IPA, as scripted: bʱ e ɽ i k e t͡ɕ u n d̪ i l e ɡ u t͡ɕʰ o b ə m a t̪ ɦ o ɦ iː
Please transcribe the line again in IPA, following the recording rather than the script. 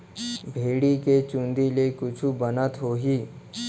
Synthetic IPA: bʱ e ɽ i k e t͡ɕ u n d̪ i l e k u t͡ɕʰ u b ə n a t̪ ɦ o ɦ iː

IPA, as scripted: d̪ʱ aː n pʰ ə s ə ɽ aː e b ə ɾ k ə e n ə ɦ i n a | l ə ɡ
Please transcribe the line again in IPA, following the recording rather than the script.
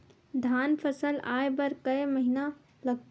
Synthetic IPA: d̪ʱ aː n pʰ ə s ə l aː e b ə ɾ k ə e m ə ɦ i n a | l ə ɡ

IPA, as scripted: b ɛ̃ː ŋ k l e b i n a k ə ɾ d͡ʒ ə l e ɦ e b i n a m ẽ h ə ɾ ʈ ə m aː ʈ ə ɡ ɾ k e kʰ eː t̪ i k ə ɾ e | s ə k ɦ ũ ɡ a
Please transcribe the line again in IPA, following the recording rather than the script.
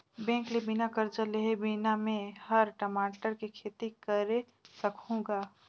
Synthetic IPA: b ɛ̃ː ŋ k l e b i n a k ə ɾ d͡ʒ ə l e ɦ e b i n a m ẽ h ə ɾ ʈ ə m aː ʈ ə ɾ k e kʰ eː t̪ i k ə ɾ e | s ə k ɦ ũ ɡ a

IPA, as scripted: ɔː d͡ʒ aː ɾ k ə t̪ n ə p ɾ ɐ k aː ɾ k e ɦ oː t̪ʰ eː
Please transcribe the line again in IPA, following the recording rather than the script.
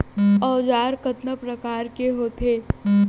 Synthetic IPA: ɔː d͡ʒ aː ɾ k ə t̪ n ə p ɾ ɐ k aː ɾ k e ɦ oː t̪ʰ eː

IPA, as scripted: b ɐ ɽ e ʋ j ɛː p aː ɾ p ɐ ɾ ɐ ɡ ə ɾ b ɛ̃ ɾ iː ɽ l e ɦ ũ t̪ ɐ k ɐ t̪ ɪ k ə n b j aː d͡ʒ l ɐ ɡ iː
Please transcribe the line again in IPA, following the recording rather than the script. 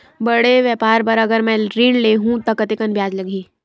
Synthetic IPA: b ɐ ɽ e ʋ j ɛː p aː ɾ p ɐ ɾ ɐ ɡ ə ɾ m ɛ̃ ɾ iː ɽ l e ɦ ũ t̪ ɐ k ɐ t̪ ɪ k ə n b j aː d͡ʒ l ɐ ɡ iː

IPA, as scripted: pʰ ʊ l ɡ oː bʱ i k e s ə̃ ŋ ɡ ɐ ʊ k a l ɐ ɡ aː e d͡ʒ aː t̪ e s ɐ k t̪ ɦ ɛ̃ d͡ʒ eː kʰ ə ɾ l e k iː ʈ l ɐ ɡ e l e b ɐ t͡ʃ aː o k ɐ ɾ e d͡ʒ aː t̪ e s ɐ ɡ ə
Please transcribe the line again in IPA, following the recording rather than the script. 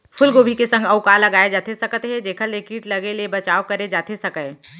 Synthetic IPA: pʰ ʊ l ɡ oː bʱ i k e s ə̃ ŋ ɡ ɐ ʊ k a l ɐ ɡ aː e d͡ʒ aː t̪ e s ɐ k t̪ ɦ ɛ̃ d͡ʒ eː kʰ ə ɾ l e k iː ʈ l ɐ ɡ e l e b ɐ t͡ʃ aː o k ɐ ɾ e d͡ʒ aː t̪ e s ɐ k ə

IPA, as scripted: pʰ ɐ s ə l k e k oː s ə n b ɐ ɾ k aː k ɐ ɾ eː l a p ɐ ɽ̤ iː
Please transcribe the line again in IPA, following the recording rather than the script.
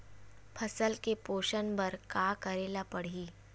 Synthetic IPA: pʰ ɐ s ə l k e p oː ʃ ə n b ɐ ɾ k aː k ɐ ɾ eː l a p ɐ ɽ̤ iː

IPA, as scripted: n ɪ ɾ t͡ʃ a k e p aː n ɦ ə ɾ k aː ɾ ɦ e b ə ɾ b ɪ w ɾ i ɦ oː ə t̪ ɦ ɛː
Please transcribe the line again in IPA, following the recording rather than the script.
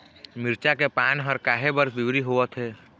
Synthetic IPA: m ɪ ɾ t͡ʃ a k e p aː n ɦ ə ɾ k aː ɦ e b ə ɾ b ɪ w ɾ i ɦ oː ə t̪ ɦ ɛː

